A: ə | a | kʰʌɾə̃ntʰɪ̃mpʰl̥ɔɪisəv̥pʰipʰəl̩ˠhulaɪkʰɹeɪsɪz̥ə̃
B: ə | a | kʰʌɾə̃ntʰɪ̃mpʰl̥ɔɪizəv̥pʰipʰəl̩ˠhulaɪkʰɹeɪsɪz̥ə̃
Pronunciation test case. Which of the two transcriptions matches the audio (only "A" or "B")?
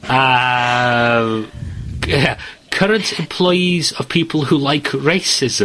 B